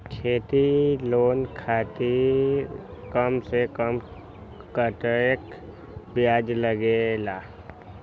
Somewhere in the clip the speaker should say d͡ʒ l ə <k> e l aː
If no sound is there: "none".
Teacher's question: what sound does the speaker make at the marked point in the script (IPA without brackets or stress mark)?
ɡ